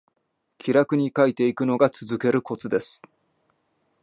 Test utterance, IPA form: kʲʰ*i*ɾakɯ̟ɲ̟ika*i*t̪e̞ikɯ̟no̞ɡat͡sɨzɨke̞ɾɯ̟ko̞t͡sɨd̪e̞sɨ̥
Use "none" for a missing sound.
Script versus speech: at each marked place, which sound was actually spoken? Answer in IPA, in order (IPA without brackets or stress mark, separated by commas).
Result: i, i